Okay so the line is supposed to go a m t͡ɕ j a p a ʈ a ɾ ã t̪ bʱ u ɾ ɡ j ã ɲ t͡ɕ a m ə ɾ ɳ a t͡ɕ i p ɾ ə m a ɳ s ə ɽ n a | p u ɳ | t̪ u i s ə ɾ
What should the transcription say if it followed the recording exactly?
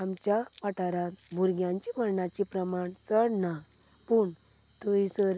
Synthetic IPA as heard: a m t͡ɕ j a p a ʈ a ɾ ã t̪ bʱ u ɾ ɡ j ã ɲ t͡ɕ i m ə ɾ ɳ a t͡ɕ i p ɾ ə m a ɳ t͡s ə ɽ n a | p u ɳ | t̪ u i s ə ɾ